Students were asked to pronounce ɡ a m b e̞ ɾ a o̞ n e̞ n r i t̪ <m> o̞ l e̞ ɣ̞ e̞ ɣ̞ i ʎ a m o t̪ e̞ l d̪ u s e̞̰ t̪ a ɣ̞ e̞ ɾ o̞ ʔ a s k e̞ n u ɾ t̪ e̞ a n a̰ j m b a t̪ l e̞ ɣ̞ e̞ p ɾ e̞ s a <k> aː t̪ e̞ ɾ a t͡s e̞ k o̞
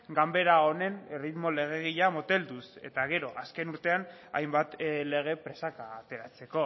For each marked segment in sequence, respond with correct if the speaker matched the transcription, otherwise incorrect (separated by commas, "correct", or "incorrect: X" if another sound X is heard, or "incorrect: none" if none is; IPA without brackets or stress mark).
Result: correct, correct